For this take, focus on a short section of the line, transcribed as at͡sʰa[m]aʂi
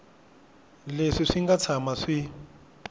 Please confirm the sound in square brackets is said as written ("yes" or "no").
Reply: yes